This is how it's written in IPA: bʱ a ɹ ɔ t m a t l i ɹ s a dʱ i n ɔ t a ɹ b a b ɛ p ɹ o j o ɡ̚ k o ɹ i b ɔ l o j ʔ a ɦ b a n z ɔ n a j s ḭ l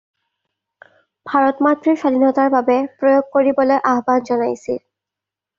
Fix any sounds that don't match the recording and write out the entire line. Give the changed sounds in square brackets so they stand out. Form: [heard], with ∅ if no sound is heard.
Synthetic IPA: bʱ a ɹ ɔ t m a t [ɹ] i ɹ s a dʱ i n ɔ t a ɹ b a b ɛ p ɹ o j o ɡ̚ k o ɹ i b ɔ l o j ʔ a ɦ b a n z ɔ n a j s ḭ l